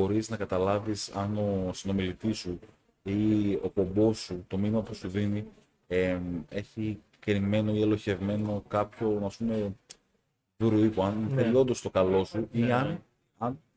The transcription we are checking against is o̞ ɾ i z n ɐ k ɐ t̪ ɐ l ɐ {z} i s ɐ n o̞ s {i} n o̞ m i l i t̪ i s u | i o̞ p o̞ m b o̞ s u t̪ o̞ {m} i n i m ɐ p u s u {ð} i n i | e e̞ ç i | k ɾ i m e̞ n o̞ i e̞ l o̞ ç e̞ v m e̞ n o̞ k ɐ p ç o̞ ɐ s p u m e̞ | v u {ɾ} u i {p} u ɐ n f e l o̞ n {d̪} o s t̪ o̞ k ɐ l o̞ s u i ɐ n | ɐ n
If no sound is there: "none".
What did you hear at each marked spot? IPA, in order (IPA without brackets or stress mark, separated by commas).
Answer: v, i, m, ð, ɾ, p, d̪